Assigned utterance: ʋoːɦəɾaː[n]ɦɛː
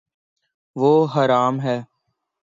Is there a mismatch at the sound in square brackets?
yes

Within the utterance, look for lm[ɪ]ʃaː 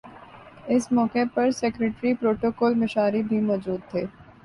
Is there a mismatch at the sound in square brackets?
no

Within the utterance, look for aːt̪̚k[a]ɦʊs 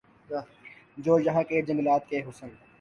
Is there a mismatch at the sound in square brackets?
yes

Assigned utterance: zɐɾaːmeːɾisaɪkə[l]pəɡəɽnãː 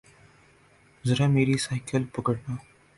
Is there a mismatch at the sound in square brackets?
no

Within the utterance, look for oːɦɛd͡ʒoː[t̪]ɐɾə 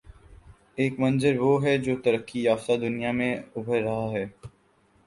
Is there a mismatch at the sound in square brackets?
no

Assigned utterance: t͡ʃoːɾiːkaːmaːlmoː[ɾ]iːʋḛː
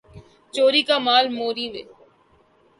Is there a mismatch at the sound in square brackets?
no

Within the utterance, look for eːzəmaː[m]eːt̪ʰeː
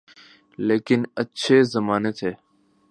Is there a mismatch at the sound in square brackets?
yes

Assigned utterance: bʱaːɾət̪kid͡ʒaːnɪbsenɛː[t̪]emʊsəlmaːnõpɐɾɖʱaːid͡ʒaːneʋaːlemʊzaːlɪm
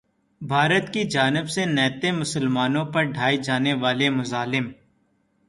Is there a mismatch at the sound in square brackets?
no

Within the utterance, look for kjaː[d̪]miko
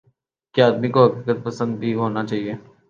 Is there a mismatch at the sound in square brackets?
no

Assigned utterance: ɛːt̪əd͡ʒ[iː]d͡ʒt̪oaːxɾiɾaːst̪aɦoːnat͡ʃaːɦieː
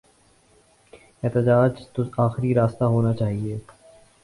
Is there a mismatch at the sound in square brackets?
yes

